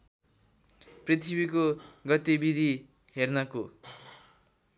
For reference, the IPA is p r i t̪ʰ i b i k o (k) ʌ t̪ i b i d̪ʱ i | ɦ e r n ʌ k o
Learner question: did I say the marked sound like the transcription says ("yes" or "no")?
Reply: no